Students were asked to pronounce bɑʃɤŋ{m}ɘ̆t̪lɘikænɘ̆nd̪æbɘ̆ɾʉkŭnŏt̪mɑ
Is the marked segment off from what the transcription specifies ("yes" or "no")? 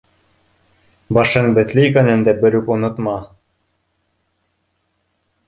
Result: yes